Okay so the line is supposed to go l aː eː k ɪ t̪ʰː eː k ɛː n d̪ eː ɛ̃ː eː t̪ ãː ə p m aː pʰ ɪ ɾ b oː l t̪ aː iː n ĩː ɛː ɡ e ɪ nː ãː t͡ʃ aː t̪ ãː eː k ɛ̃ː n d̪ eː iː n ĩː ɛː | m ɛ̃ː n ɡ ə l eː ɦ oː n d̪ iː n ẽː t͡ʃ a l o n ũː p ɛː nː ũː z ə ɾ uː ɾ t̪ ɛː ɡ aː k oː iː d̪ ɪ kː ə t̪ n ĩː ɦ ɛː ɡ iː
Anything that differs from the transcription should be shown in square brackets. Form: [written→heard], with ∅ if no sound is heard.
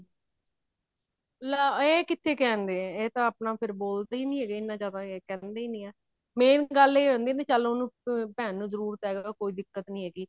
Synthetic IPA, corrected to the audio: l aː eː k ɪ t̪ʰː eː k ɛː n d̪ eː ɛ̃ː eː t̪ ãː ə p [m→n] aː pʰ ɪ ɾ b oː l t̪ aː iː n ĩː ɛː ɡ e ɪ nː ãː t͡ʃ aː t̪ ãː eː k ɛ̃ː n d̪ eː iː n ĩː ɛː | m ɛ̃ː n ɡ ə l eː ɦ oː n d̪ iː n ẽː t͡ʃ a l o n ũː p ɛː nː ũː z ə ɾ uː ɾ t̪ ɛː ɡ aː k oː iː d̪ ɪ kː ə t̪ n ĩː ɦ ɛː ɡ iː